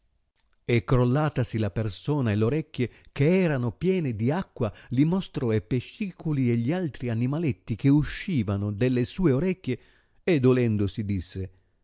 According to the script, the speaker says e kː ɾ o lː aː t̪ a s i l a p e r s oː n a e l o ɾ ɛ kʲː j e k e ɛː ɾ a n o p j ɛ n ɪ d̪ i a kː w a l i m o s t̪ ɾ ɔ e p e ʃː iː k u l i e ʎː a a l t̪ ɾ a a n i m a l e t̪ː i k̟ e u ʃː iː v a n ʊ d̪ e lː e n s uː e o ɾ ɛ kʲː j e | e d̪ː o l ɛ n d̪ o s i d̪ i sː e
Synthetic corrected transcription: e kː ɾ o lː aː t̪ a s i l a p e r s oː n a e l o ɾ ɛ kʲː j e k e ɛː ɾ a n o p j ɛː n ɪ d̪ i a kː w a l i m o s t̪ ɾ ɔ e p e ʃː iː k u l i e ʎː i a l t̪ ɾ i a n i m a l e t̪ː i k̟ e u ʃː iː v a n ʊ d̪ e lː e s uː e o ɾ ɛ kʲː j e | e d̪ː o l ɛ n d̪ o s i d̪ i sː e